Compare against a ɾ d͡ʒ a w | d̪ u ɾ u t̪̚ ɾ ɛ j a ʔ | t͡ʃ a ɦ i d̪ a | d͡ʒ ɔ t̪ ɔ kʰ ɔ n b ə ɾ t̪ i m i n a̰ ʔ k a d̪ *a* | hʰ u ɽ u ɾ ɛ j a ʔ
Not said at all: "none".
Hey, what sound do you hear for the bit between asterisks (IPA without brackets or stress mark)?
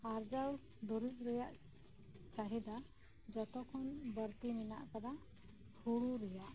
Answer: a